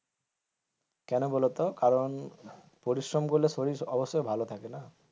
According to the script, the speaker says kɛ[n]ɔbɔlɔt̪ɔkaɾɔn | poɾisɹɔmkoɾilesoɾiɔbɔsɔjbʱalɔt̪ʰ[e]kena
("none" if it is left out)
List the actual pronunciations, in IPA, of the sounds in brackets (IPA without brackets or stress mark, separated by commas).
n, a